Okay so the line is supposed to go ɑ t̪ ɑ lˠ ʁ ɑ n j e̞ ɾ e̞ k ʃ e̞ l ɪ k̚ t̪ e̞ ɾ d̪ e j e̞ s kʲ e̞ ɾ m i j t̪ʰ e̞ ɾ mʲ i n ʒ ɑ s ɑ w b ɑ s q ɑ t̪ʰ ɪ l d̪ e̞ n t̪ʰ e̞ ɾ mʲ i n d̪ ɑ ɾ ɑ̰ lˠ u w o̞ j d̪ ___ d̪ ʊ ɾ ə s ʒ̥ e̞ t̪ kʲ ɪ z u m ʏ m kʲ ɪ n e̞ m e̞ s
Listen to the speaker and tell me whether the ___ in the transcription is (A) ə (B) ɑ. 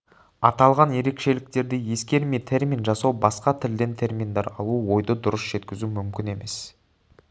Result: A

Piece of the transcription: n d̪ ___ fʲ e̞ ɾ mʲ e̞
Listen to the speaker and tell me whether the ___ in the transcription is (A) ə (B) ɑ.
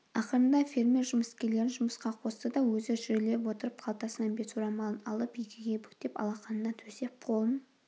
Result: B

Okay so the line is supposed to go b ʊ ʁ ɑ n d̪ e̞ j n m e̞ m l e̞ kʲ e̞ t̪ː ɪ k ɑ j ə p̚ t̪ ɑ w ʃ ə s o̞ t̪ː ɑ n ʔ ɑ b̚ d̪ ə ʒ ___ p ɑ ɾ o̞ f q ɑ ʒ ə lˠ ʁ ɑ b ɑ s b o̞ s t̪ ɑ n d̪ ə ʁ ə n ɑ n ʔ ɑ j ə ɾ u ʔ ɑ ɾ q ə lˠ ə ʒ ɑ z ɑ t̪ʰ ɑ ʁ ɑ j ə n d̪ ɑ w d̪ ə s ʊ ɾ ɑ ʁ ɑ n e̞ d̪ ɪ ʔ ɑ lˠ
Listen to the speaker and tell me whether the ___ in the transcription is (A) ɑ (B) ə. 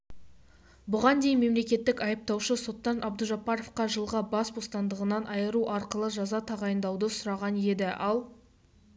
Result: A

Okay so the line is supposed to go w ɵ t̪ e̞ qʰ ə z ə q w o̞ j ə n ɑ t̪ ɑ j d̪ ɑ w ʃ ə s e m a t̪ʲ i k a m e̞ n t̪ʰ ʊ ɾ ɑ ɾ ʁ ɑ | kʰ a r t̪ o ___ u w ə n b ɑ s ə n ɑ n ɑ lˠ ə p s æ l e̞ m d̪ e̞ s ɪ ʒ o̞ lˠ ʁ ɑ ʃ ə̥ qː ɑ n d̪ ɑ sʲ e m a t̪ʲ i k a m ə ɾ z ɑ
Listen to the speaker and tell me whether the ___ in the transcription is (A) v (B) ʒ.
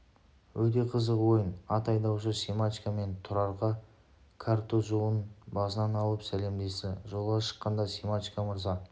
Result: B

